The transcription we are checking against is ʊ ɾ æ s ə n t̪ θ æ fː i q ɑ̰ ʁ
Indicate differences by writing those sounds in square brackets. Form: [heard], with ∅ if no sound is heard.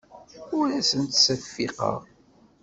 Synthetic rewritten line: ʊ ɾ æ s ə n t̪ [s] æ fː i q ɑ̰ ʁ